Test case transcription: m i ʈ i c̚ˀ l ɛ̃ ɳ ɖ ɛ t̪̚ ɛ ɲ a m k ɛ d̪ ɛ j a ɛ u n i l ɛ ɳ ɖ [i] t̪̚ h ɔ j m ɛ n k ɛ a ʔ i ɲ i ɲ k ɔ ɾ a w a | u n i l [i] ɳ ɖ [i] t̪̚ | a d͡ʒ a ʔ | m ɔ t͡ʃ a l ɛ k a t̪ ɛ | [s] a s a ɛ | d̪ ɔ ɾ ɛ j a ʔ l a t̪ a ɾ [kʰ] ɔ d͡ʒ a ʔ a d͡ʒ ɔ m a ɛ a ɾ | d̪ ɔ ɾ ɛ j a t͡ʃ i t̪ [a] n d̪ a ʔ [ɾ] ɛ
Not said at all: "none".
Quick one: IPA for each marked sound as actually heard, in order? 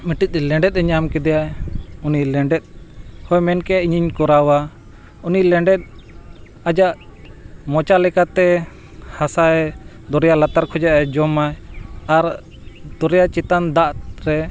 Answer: ɛ, ɛ, ɛ, h, kʰ, a, ɾ

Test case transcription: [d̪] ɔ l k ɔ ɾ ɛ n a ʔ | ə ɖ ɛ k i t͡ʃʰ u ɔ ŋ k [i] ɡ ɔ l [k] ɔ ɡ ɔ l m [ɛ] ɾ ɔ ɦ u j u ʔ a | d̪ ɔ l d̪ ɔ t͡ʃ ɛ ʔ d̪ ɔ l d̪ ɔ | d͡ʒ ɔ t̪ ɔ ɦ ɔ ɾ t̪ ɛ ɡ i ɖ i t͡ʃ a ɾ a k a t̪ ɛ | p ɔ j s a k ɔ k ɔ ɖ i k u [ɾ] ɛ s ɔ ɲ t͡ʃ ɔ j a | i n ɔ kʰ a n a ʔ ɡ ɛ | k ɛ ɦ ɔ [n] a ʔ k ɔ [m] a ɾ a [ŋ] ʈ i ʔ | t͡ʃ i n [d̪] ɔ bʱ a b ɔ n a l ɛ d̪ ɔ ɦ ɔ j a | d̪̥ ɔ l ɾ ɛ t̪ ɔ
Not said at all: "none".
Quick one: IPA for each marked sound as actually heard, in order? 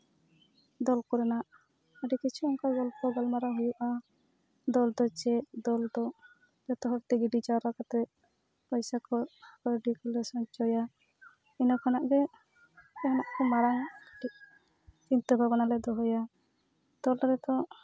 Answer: d̪, a, p, a, l, n, m, ŋ, t̪

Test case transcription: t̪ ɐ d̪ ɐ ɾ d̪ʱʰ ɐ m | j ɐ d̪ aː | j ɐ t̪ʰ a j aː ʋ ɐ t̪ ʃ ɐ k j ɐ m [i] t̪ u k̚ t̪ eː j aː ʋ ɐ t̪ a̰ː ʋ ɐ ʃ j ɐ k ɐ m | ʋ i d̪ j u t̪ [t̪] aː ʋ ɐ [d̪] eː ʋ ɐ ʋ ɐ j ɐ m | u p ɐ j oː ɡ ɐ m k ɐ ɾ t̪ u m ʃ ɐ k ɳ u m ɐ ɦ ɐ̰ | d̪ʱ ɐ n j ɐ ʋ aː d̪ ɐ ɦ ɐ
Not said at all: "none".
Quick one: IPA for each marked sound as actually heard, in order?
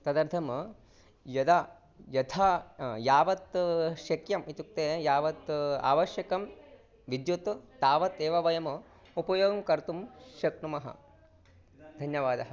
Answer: i, t̪, t̪

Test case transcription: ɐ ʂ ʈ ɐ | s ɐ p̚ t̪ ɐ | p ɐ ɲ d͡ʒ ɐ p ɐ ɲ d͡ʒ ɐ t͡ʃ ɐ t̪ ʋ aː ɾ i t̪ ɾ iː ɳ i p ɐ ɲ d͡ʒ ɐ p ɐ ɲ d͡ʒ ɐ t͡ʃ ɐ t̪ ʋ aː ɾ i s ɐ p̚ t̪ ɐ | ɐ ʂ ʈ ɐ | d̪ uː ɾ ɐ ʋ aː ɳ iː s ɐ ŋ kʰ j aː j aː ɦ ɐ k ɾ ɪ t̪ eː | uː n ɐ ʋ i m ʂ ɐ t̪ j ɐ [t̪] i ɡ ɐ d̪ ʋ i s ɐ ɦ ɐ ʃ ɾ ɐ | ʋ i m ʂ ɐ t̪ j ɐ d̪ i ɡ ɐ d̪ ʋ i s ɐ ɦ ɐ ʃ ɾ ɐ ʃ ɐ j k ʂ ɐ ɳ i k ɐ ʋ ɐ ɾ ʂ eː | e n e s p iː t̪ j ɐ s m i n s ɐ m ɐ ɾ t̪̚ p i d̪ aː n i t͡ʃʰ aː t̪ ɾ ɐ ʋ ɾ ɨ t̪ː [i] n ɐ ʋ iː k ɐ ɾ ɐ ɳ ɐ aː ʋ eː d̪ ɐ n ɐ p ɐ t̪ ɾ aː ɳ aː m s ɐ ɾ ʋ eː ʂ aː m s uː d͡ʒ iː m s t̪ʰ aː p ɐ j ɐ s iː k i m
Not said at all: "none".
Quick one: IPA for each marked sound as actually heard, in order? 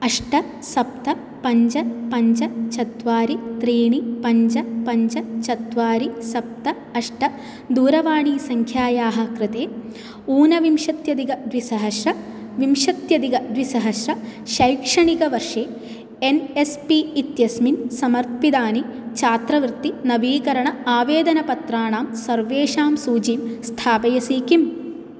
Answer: d̪, i

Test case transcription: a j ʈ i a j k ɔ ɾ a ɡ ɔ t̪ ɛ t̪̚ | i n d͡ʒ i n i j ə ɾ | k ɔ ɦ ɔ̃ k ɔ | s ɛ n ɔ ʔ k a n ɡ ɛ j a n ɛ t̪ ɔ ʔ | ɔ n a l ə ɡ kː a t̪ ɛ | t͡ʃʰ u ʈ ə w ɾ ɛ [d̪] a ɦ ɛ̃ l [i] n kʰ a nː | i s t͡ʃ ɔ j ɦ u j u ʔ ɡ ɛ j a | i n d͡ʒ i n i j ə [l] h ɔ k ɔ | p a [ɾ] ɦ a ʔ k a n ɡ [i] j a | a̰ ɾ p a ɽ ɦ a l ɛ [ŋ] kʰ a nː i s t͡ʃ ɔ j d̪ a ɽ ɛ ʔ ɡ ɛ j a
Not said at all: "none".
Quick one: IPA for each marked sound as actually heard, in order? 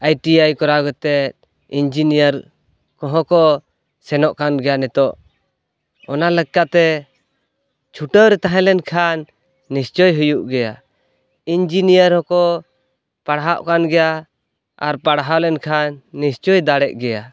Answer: t̪, ɛ, ɾ, ɽ, ɛ, n

